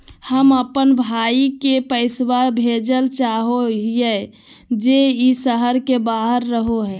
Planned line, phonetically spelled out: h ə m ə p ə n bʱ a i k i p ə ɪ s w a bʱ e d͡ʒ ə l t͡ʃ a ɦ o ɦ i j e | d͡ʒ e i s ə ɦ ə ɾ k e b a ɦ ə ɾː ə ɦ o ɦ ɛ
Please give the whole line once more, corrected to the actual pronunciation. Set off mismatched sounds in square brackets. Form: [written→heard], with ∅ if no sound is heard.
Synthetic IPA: h ə m ə p ə n bʱ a i k [i→e] p ə ɪ s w a bʱ e d͡ʒ ə l t͡ʃ a ɦ o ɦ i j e | d͡ʒ e i s ə ɦ ə ɾ k e b a ɦ ə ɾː ə ɦ o ɦ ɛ

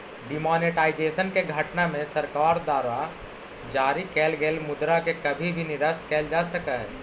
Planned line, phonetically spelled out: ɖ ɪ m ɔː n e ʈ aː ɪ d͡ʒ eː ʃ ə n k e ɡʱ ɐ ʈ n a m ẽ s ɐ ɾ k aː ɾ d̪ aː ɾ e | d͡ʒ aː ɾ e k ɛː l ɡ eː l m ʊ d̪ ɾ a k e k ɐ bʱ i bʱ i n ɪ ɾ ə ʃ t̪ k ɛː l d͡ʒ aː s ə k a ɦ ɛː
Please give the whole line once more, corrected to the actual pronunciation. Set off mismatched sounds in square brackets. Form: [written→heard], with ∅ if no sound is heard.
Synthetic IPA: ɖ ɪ m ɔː n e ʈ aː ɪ d͡ʒ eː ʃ ə n k e ɡʱ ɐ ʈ n a m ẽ s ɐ ɾ k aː ɾ d̪ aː ɾ [e→a] | d͡ʒ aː ɾ [e→i] k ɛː l ɡ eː l m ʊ d̪ ɾ a k e k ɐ bʱ i bʱ i n ɪ ɾ ə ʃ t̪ k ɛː l d͡ʒ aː s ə k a ɦ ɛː

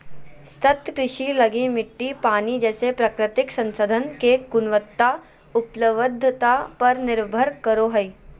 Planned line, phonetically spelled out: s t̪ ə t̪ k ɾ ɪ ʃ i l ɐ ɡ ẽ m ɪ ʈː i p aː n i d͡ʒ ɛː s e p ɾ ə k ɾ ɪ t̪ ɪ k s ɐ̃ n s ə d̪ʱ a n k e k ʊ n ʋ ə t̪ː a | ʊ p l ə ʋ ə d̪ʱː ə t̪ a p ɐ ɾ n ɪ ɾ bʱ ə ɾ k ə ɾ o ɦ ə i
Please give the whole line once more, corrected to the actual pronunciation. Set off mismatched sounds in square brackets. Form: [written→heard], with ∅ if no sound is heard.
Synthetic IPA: s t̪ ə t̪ k ɾ ɪ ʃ i l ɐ ɡ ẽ m ɪ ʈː i p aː n i d͡ʒ ɛː s e p ɾ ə k ɾ ɪ t̪ ɪ k s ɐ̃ n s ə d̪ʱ [a→ə] n k e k ʊ n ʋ ə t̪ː a | ʊ p l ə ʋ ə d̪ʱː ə t̪ a p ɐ ɾ n ɪ ɾ bʱ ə ɾ k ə ɾ o ɦ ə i

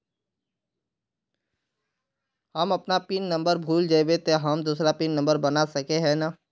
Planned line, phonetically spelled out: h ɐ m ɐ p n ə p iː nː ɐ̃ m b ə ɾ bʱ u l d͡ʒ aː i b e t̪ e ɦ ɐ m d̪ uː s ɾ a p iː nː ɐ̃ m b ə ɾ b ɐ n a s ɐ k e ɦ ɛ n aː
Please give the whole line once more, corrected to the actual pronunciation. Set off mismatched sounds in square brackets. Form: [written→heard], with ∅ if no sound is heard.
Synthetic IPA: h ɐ m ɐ p n [ə→a] p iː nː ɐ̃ m b ə ɾ bʱ [u→uː] l d͡ʒ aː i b e t̪ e ɦ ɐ m d̪ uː s ɾ a p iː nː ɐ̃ m b ə ɾ b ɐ n a s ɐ k e ɦ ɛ n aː

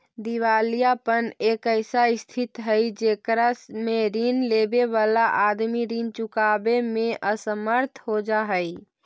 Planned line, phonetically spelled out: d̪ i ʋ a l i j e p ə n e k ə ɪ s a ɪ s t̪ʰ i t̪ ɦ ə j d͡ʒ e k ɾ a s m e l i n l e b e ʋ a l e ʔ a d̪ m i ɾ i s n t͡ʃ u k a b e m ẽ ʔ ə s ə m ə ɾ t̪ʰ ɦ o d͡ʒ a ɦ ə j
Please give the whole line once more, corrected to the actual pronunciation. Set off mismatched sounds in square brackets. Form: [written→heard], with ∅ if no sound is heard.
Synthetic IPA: d̪ i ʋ a l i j [e→a] p ə n e k ə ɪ s a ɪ s t̪ʰ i t̪ ɦ ə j d͡ʒ e k ɾ a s m e [l→ɾ] i n l e b e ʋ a l [e→a] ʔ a d̪ m i ɾ i [s→∅] n t͡ʃ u k a b e m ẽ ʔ ə s ə m ə ɾ t̪ʰ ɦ o d͡ʒ a ɦ ə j

